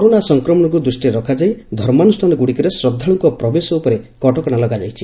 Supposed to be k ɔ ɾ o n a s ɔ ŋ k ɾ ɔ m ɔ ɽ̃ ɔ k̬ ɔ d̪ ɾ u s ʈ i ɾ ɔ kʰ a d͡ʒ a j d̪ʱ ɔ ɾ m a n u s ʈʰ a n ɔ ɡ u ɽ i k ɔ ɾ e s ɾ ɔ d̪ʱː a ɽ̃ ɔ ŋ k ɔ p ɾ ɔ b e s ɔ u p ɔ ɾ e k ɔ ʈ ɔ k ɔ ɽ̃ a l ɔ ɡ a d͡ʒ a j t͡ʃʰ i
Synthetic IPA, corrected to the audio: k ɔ ɾ o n a s ɔ ŋ k ɾ ɔ m ɔ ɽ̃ ɔ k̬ u d̪ ɾ u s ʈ i ɾ ɔ kʰ a d͡ʒ a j d̪ʱ ɔ ɾ m a n u s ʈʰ a n ɔ ɡ u ɽ i k ɔ ɾ e s ɾ ɔ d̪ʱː a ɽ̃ ɔ ŋ k ɔ p ɾ ɔ b e s ɔ u p ɔ ɾ e k ɔ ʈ ɔ k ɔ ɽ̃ a l ɔ ɡ a d͡ʒ a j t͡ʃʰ i